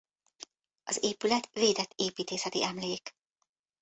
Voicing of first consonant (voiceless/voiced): voiced